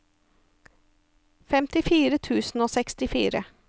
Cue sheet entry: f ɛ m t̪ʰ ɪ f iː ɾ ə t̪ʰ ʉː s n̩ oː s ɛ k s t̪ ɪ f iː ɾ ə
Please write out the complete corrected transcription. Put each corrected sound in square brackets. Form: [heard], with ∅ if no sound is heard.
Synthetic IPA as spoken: f ɛ m [t̪] ɪ f iː ɾ ə t̪ʰ ʉː s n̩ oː s ɛ k s t̪ ɪ f iː ɾ ə